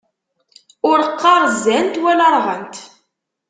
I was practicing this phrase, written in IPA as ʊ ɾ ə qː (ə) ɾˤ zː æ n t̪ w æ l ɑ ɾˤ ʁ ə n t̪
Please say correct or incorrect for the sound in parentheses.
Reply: incorrect